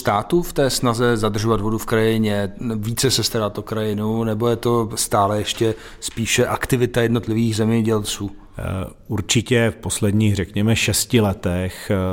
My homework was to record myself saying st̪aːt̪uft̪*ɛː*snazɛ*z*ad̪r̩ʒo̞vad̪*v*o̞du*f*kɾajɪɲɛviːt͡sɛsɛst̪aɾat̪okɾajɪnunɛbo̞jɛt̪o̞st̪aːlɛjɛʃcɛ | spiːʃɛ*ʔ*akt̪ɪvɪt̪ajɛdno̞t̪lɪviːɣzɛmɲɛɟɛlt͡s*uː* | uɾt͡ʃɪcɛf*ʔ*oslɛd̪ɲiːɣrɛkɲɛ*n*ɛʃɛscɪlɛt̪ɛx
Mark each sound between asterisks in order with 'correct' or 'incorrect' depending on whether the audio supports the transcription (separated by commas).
correct, correct, correct, correct, correct, correct, incorrect, incorrect